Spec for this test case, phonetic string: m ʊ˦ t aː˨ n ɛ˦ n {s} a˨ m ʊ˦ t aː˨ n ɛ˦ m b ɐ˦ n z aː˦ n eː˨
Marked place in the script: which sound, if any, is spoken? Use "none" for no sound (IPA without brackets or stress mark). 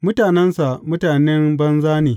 s